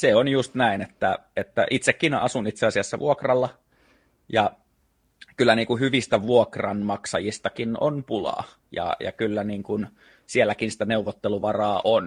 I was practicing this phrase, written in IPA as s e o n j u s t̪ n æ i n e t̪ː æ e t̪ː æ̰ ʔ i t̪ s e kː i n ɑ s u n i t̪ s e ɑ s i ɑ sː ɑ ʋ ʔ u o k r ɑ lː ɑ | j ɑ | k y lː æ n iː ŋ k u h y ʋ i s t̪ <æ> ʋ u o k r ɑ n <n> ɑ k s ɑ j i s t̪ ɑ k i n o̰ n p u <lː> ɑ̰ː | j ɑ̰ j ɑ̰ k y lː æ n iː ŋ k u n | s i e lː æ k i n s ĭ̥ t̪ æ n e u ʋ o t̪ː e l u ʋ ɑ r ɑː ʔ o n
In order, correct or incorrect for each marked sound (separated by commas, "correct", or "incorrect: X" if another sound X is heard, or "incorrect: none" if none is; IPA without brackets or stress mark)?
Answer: correct, incorrect: m, incorrect: l